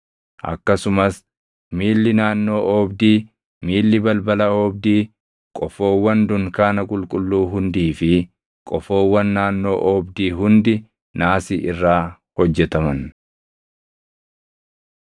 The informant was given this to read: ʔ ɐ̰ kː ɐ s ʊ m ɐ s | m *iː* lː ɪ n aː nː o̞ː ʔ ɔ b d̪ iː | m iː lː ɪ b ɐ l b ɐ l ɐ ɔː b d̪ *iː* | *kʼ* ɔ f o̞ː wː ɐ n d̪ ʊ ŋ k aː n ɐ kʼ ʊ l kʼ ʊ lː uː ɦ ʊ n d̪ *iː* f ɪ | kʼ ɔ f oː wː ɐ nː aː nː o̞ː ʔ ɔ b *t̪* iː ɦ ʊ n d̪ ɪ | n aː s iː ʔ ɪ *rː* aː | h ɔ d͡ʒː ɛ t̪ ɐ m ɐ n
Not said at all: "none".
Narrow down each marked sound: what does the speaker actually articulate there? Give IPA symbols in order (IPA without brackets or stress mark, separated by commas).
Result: iː, iː, kʼ, iː, d̪, rː